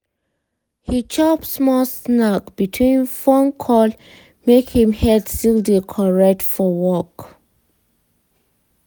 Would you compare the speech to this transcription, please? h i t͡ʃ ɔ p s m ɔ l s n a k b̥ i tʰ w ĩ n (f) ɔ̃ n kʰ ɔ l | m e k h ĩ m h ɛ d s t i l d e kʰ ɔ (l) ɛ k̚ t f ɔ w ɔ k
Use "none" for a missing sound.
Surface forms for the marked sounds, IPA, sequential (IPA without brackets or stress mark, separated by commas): f, ɹ